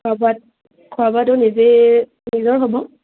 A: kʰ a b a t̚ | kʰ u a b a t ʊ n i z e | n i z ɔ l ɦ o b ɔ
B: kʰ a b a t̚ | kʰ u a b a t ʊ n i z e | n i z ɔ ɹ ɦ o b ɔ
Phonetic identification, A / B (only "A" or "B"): B